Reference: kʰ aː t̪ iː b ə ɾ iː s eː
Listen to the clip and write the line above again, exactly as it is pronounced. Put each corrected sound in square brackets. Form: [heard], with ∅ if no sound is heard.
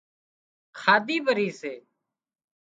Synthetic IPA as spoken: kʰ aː [d̪] iː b ə ɾ iː s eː